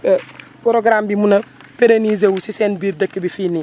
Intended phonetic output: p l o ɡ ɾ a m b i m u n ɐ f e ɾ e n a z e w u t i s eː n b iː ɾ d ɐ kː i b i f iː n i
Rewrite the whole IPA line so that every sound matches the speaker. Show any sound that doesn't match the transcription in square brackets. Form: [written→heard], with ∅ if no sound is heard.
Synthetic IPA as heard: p [l→ɾ] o ɡ ɾ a m b i m u n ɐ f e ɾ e n [a→i] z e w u [t→s] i s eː n b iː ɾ d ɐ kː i b i f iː n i